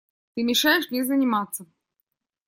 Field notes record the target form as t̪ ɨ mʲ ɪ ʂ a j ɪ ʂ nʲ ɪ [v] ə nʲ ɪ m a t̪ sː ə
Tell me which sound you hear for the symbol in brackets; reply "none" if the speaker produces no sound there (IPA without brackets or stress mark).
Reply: z